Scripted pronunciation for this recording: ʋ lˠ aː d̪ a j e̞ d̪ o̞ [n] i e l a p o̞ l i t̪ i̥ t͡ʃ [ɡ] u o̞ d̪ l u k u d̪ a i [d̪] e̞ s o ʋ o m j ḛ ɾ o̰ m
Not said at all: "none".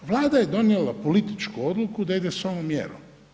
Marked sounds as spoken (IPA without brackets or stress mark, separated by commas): n, k, d̪